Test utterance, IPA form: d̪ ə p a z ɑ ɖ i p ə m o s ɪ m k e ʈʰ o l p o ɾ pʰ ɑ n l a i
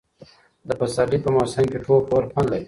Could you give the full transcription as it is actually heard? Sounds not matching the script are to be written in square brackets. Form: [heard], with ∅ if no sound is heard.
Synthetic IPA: d̪ ə p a [s] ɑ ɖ i p ə m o s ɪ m k e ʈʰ o l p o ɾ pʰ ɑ n l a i